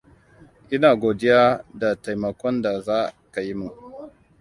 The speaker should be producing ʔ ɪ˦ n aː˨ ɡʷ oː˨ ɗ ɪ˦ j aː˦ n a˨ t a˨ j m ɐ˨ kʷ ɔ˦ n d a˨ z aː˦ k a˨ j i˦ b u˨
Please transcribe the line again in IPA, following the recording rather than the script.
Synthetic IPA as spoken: ʔ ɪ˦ n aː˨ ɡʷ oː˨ d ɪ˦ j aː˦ d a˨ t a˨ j m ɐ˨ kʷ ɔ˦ n d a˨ z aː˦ k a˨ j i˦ m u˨